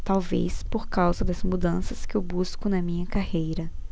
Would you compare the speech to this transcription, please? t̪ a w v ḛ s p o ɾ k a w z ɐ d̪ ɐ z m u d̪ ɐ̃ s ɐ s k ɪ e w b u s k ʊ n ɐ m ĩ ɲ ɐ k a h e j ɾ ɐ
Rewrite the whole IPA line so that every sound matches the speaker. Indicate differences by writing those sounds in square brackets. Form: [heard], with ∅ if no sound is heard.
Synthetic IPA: t̪ a w v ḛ s p o ɾ k a w z ɐ d̪ ɐ z m u d̪ ɐ̃ s ɐ s k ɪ e w b u s k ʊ n ɐ m ĩ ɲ ɐ k a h e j ɾ ɐ